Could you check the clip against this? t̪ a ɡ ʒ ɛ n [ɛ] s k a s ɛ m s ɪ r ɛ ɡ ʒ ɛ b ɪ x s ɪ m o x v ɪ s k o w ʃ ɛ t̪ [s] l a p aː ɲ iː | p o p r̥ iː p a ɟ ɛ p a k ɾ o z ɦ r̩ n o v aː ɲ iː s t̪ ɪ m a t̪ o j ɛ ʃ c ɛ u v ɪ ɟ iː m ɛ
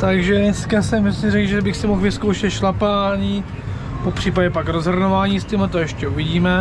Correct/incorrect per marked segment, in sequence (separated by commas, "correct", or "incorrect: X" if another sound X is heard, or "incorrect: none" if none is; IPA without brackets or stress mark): correct, incorrect: ʃ